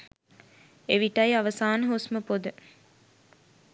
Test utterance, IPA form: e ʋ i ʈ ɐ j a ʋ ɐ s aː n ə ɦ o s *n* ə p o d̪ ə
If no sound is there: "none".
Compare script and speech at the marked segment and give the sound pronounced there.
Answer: m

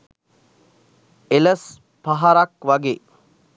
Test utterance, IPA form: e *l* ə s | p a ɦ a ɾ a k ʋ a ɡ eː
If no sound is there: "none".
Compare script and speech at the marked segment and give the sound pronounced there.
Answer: l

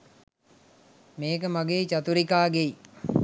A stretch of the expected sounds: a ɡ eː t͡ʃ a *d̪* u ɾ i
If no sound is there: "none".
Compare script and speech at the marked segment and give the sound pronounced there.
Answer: t̪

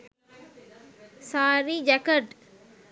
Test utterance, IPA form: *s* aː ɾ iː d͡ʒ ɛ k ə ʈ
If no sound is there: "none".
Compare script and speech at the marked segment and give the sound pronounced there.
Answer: s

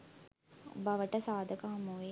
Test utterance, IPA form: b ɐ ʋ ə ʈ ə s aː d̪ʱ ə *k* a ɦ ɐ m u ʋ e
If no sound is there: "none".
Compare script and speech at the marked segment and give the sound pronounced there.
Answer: k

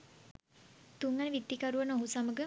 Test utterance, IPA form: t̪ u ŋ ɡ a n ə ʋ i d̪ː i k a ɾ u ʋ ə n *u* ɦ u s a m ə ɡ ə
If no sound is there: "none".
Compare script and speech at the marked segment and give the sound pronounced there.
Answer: o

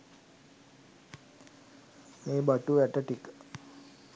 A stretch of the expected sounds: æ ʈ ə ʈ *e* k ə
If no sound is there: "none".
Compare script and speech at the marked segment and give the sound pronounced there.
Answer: i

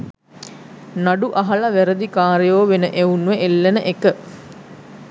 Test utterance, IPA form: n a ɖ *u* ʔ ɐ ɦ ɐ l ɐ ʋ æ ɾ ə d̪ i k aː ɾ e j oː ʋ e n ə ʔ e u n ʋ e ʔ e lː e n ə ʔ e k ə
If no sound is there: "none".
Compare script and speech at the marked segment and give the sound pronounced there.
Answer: u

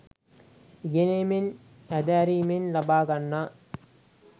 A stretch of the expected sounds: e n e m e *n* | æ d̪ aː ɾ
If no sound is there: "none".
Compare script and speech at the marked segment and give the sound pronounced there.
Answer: n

